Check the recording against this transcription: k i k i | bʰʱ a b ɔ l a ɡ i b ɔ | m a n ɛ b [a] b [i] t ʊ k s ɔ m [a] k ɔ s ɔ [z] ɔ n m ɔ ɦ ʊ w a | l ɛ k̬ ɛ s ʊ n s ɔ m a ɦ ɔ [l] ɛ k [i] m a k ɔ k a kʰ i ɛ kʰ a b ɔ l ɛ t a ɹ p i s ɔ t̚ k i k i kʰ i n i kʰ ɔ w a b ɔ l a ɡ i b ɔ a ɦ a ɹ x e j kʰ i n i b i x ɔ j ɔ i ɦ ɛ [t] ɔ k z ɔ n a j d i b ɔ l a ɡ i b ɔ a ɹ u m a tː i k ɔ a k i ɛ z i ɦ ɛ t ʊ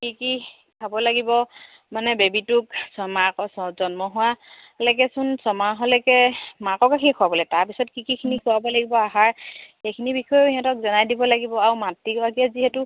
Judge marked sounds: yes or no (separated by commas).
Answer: no, yes, yes, yes, yes, no, yes